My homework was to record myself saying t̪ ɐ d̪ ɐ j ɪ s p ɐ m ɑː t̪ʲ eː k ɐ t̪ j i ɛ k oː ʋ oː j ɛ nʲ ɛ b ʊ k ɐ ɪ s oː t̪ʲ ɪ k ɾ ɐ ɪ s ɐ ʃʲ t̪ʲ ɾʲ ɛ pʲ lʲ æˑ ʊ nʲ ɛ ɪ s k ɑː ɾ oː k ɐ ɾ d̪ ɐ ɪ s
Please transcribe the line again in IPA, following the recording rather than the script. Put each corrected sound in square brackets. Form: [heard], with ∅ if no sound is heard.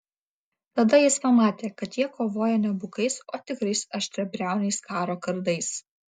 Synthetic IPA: t̪ ɐ d̪ ɐ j ɪ s p ɐ m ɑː t̪ʲ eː k ɐ t̪ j i ɛ k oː ʋ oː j ɛ nʲ ɛ b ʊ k ɐ ɪ s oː t̪ʲ ɪ k ɾ ɐ ɪ s ɐ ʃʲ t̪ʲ ɾʲ ɛ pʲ [ɾʲ] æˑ ʊ nʲ ɛ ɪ s k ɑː ɾ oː k ɐ ɾ d̪ ɐ ɪ s

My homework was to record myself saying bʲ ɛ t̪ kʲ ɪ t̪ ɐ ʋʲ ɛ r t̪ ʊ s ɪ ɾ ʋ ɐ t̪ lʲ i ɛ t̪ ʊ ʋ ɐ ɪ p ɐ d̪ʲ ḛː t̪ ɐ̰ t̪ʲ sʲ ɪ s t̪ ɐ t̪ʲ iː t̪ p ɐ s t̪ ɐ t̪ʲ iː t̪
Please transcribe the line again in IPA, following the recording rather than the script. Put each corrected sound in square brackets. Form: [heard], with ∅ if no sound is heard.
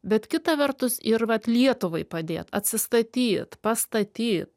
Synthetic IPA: bʲ ɛ t̪ kʲ ɪ t̪ ɐ ʋʲ ɛ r t̪ ʊ s ɪ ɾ ʋ ɐ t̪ lʲ i ɛ t̪ ʊ ʋ ɐ ɪ p ɐ d̪ʲ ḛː t̪ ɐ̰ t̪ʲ sʲ ɪ s t̪ ɐ t̪ʲ iː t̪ p ɐ s t̪ ɐ t̪ʲ iː t̪

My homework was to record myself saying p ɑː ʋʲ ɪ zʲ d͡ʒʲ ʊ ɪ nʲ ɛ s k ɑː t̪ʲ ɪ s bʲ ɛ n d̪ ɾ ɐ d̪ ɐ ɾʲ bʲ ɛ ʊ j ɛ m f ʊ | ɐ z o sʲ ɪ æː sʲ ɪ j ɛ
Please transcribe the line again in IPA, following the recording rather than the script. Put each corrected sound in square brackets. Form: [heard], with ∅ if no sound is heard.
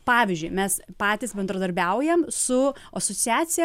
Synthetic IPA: p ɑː ʋʲ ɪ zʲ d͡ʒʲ ʊ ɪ [mʲ] ɛ s [p] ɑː t̪ʲ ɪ s bʲ ɛ n d̪ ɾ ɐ d̪ ɐ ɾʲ bʲ ɛ ʊ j ɛ m [s] ʊ | ɐ [s] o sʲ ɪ æː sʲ ɪ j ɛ

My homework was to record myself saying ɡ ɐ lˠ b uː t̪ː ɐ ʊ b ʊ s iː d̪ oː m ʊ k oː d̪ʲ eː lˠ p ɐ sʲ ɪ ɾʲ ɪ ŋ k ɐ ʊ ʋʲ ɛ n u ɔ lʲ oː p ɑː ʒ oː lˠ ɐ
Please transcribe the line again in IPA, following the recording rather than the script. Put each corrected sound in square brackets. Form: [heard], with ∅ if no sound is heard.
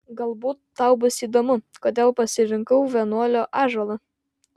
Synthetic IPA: ɡ ɐ lˠ b uː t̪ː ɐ ʊ b ʊ s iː d̪ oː m ʊ k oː d̪ʲ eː lˠ p ɐ sʲ ɪ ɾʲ ɪ ŋ k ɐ ʊ ʋʲ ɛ n u ɔ lʲ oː [ʔ] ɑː ʒ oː lˠ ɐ

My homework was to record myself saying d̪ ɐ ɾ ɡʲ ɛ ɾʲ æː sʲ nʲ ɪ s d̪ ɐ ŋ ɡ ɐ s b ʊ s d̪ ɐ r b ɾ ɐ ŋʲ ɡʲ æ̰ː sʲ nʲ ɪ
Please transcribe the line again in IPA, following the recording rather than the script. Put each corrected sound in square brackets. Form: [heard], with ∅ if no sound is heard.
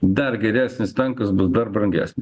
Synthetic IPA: d̪ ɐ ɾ ɡʲ ɛ ɾʲ æː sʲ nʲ ɪ s [t̪] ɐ ŋ [k] ɐ s b ʊ s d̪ ɐ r b ɾ ɐ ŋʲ ɡʲ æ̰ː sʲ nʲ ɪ

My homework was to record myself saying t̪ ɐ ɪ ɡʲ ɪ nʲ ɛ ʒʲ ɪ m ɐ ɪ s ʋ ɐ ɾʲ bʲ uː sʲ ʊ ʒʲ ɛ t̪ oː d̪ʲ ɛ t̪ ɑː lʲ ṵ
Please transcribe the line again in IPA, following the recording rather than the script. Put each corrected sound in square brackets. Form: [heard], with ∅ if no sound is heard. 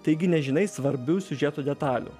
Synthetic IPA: t̪ ɐ ɪ ɡʲ ɪ nʲ ɛ ʒʲ ɪ [n] ɐ ɪ s ʋ ɐ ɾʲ bʲ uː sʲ ʊ ʒʲ ɛ t̪ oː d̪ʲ ɛ t̪ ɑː lʲ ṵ

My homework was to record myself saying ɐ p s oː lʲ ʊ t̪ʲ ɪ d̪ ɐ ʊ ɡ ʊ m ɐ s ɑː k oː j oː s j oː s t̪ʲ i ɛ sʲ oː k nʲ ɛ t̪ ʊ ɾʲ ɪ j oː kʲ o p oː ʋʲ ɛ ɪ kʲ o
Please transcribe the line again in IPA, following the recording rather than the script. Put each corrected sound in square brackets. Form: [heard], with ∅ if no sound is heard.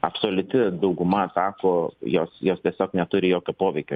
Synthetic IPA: ɐ p s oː lʲ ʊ t̪ʲ ɪ d̪ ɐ ʊ ɡ ʊ m ɐ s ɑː k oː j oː s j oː s t̪ʲ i ɛ sʲ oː k nʲ ɛ t̪ ʊ ɾʲ ɪ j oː kʲ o p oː ʋʲ ɛ ɪ kʲ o

